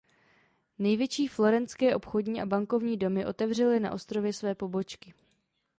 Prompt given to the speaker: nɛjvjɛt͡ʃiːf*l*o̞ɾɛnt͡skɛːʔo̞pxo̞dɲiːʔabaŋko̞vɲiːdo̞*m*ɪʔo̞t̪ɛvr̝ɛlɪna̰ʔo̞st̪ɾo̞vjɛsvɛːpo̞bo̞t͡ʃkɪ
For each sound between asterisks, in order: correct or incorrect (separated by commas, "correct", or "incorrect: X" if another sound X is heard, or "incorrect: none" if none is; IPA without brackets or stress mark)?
correct, correct